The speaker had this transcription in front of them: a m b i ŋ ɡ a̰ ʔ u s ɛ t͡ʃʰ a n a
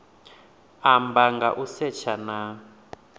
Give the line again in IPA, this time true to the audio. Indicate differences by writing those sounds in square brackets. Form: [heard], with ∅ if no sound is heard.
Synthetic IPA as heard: a m b [a] ŋ ɡ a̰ ʔ u s ɛ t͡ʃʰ a n a